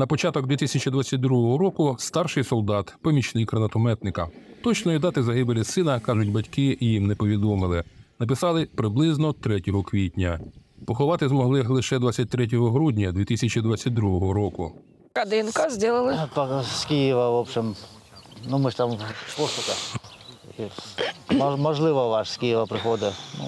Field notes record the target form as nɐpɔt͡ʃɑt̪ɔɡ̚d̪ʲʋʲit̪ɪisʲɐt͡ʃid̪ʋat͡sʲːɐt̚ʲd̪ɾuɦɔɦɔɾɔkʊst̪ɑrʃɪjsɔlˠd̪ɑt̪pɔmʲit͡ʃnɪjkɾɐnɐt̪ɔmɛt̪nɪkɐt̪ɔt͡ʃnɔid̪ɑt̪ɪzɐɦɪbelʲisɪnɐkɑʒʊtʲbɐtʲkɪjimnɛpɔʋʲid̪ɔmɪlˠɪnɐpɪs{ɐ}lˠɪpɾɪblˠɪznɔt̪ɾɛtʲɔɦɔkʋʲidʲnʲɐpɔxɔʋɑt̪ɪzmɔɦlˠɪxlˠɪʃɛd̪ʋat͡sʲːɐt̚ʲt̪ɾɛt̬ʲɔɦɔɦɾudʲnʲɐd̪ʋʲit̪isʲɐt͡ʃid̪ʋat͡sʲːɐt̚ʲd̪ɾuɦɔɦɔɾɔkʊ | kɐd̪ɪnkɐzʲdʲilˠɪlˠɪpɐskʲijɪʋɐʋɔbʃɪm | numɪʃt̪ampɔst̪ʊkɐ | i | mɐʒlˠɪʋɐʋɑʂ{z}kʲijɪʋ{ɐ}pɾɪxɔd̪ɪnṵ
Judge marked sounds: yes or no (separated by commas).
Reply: no, no, yes